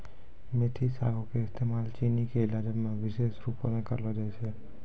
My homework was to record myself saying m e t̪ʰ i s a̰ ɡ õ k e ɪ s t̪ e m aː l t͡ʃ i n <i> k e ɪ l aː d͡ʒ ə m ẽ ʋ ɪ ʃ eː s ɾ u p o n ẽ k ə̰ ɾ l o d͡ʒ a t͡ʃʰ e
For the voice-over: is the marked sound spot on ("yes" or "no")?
yes